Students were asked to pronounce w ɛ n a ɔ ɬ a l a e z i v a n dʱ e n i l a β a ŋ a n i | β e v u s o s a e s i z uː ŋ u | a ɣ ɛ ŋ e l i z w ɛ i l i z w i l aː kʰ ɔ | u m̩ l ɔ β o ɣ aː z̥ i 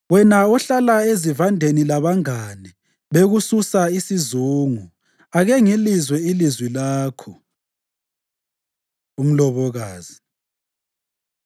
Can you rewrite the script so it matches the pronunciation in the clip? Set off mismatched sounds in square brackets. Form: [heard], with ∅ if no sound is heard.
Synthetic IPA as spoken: w ɛ n a ɔ ɬ a l a e z i v a n dʱ e n i l a β a ŋ a n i | β e [ɣ] u s [u] s a [i] s i z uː ŋ u | a ɣ ɛ ŋ [i] l i z w ɛ i l i z w i l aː kʰ ɔ | u m̩ l ɔ β [ɔ] ɣ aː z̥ i

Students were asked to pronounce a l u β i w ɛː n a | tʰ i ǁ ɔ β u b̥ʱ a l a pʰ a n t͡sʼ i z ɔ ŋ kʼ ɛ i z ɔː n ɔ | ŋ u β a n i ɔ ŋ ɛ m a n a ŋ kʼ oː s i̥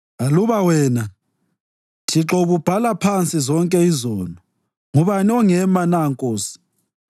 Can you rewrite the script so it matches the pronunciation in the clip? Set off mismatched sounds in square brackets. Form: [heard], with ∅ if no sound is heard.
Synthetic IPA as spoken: a l u β [a] w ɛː n a | tʰ i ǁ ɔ β u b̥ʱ a l a pʰ a n t͡sʼ i z ɔ ŋ kʼ ɛ i z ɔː n ɔ | ŋ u β a n i ɔ ŋ ɛ m a n a ŋ kʼ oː s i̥

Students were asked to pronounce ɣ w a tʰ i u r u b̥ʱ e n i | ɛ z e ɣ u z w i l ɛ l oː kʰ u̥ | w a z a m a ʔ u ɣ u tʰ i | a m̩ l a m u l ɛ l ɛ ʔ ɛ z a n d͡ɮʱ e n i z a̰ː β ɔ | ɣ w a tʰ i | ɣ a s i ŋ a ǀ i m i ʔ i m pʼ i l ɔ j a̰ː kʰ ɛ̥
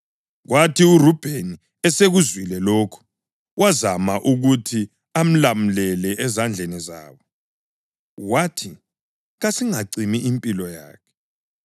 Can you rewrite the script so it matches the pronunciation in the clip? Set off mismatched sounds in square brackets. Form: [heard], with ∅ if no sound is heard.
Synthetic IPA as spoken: ɣ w a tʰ i u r u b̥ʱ e n i | ɛ [s] e ɣ u z w i l ɛ l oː kʰ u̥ | w a z a m a ʔ u ɣ u tʰ i | a m̩ l a m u l ɛ l ɛ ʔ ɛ z a n d͡ɮʱ e n i z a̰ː β ɔ | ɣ w a tʰ i | ɣ a s i ŋ a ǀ i m i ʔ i m pʼ i l ɔ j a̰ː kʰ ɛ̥

